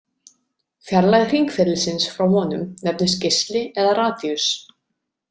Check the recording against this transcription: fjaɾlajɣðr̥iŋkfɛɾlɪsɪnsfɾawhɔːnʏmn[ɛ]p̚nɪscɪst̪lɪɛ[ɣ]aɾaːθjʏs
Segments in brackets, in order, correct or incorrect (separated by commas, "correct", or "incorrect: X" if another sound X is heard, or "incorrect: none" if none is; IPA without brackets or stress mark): correct, incorrect: ð